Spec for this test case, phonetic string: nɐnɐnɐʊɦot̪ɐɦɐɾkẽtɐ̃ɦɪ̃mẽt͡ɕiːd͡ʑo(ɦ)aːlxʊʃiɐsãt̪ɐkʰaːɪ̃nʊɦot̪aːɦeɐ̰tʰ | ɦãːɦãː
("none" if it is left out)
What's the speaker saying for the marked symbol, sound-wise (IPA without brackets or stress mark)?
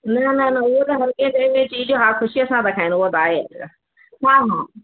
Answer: ɦ